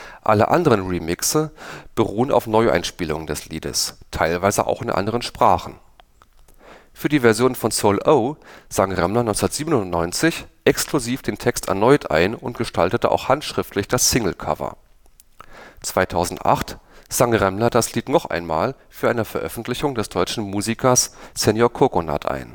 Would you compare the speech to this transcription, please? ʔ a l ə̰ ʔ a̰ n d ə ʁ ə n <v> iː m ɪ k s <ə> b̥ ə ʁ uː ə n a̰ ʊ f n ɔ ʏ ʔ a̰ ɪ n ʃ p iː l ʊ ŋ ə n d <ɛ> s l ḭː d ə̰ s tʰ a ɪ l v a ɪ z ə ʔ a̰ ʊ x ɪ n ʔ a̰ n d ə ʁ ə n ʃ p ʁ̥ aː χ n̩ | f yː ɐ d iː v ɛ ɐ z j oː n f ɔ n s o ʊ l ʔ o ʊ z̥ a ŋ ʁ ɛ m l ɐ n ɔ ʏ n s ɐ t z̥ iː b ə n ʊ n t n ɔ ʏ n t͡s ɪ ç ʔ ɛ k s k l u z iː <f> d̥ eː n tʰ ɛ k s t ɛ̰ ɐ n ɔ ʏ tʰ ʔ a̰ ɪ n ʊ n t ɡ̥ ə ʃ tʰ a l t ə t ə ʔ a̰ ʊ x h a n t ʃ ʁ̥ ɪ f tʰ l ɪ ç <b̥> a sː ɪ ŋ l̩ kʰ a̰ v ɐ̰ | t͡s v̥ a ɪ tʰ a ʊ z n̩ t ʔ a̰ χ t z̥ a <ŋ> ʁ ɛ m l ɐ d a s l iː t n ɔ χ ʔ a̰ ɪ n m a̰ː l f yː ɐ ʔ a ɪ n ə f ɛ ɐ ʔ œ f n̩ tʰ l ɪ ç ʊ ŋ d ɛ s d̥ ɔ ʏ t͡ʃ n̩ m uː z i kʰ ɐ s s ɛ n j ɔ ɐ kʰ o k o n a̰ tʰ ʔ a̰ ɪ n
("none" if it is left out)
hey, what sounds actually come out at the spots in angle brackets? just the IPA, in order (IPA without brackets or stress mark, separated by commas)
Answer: ʁ, ə, ɛ, f, d̥, ŋ